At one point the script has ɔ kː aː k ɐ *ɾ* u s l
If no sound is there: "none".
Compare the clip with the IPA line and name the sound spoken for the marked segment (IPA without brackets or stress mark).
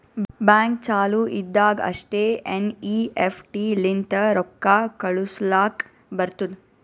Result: ɭ